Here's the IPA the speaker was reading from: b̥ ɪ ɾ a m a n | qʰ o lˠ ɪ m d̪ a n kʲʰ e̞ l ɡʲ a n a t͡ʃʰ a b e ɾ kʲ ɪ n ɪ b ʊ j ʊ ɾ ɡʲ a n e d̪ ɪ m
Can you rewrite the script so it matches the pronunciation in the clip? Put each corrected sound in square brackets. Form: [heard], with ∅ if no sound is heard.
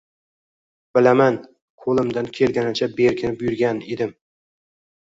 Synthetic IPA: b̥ ɪ [l] a m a n | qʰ o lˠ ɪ m d̪ a n kʲʰ e̞ l ɡʲ a n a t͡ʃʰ a b e ɾ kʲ ɪ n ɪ b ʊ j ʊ ɾ ɡʲ a n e d̪ ɪ m